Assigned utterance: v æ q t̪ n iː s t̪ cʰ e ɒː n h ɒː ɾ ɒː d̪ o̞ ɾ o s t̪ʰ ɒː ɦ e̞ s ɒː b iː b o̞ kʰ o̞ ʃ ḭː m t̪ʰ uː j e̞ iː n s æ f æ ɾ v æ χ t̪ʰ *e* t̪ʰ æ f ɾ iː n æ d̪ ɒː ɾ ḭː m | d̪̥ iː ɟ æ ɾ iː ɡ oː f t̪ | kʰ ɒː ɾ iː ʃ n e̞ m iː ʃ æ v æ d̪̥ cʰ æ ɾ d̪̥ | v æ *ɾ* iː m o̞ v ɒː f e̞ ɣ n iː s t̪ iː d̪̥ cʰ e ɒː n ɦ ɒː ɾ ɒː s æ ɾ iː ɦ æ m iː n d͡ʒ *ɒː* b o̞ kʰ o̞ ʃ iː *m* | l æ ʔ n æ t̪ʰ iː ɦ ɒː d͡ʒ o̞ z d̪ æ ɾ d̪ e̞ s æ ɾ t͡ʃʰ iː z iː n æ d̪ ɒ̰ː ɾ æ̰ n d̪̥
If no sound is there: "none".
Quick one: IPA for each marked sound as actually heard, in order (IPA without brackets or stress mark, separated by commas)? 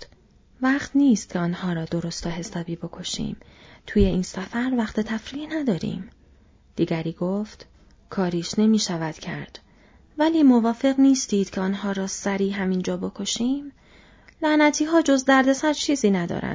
e, l, ɒː, m